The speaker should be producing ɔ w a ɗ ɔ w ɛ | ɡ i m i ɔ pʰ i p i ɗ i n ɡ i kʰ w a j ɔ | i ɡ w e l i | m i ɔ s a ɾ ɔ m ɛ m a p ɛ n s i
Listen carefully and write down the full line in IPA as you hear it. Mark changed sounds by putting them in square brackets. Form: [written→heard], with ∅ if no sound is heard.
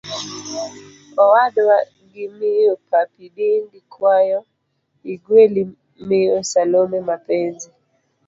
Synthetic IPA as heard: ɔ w a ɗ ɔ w [ɛ→a] | ɡ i m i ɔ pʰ [i→a] p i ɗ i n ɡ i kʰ w a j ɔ | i ɡ w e l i | m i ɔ s a [ɾ→l] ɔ m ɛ m a p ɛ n [s→z] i